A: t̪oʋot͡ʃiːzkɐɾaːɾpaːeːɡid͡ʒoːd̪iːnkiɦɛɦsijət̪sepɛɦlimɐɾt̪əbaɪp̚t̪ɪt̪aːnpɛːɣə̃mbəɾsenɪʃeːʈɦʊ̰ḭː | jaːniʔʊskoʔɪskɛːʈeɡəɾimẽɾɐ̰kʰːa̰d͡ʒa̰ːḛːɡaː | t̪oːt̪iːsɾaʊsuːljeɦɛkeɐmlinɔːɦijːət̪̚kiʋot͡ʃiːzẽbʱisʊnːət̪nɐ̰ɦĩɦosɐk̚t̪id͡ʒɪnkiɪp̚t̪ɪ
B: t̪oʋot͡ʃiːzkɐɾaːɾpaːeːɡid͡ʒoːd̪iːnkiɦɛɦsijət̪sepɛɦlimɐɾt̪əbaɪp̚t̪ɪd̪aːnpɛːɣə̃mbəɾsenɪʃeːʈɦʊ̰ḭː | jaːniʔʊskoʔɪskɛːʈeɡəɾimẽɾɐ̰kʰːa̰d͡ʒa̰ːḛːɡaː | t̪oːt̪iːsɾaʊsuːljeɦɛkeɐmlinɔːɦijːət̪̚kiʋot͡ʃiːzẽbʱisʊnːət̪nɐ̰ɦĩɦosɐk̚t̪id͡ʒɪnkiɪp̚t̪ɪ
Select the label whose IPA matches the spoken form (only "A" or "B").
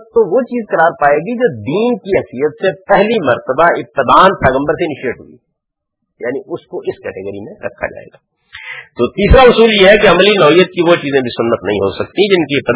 B